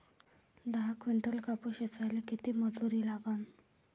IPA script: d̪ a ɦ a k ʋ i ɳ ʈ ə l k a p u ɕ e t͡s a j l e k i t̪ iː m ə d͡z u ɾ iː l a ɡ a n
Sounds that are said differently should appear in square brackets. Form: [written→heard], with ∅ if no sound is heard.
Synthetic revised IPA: d̪ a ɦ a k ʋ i ɳ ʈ ə l k a p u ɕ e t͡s a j l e k i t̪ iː m ə d͡z u ɾ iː l a ɡ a n